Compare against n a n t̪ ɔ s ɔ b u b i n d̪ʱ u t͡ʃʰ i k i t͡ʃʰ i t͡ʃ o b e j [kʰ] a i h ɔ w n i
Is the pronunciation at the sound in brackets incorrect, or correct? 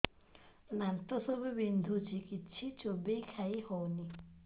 correct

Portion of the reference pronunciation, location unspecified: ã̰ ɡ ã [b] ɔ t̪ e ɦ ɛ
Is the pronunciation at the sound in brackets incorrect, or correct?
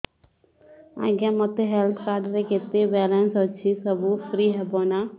incorrect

